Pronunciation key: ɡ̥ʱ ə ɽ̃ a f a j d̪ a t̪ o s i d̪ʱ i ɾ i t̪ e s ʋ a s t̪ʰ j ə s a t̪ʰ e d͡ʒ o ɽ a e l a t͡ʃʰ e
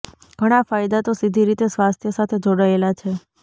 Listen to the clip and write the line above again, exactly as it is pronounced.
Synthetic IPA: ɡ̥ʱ ə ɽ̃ a f a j d̪ a t̪ o s i d̪ʱ i ɾ i t̪ e s ʋ a s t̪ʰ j ə s a t̪ʰ e d͡ʒ o ɽ a e l a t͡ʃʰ e